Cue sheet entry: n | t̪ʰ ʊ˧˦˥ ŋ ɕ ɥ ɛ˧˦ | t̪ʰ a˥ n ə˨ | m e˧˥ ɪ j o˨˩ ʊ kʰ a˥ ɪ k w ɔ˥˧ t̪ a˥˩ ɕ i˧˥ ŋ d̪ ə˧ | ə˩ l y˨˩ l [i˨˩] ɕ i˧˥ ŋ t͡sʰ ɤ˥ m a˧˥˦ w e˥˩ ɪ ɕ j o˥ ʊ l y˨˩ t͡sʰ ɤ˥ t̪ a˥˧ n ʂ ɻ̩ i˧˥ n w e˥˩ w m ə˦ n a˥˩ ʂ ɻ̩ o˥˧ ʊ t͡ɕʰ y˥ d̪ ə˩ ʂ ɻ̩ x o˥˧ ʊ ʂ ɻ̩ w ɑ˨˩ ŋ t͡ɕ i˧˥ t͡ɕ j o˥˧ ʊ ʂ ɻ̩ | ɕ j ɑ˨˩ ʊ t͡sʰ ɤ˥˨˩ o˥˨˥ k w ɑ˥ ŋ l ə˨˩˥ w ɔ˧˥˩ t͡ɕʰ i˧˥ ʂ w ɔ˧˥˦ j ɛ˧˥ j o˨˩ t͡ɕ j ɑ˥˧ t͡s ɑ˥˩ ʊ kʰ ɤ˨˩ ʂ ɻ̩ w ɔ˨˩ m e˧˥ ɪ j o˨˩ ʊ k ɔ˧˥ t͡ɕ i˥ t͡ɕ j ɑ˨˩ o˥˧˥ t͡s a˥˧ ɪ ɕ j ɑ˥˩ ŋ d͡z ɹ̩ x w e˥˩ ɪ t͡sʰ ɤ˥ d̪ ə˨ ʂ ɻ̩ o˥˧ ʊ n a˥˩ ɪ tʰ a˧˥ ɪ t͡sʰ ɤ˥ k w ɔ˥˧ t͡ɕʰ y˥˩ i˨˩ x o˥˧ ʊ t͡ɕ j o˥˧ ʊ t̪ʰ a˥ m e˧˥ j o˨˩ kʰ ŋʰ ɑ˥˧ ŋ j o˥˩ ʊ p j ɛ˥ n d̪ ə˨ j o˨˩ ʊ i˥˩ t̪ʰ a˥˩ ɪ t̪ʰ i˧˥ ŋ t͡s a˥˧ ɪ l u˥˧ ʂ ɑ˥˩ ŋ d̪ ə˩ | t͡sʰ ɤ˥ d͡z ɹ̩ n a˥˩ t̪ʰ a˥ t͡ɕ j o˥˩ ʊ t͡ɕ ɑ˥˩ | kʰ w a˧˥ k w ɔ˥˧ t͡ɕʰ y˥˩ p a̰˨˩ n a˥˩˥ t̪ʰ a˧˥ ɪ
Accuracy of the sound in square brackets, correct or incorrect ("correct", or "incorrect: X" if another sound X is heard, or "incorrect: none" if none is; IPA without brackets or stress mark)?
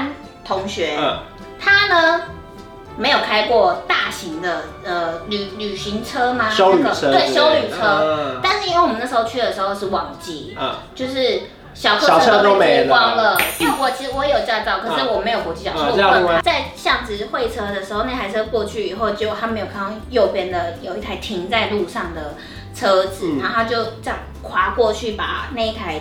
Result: incorrect: y˨˩